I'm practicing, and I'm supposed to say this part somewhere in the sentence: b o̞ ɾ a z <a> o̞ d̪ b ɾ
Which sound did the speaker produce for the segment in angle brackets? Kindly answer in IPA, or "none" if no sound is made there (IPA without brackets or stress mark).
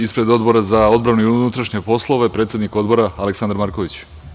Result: a